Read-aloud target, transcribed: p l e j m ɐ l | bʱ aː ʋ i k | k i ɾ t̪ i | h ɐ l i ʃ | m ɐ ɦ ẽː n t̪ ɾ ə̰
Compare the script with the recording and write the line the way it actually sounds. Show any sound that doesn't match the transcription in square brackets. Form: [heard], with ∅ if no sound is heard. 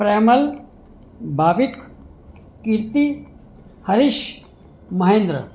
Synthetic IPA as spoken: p [ɾ] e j m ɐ l | bʱ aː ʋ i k | k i ɾ t̪ i | h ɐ [ɾ] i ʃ | m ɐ ɦ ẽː n [d̪] ɾ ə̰